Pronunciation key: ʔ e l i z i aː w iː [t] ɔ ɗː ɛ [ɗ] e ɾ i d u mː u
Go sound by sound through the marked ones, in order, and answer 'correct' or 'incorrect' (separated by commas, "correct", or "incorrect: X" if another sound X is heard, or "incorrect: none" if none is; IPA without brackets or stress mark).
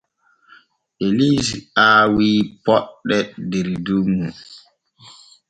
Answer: incorrect: p, incorrect: d